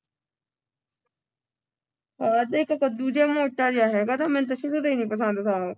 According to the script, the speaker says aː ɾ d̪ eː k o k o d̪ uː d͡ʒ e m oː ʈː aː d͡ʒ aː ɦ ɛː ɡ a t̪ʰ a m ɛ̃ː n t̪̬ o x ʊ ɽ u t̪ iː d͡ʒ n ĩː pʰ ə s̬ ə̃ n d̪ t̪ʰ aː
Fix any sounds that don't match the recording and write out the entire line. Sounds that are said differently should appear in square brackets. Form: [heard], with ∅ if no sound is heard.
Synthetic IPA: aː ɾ d̪ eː k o k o d̪ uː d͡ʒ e m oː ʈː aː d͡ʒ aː ɦ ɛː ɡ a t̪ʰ a m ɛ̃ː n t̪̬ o [ʃ] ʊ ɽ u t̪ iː [∅] n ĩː [p] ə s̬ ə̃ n d̪ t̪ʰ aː